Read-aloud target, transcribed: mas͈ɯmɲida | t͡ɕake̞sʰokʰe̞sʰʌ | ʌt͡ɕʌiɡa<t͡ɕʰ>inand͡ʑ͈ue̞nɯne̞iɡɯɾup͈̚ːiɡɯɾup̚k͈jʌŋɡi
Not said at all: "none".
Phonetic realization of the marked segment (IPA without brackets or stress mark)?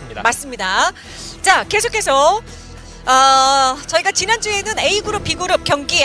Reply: t͡ɕ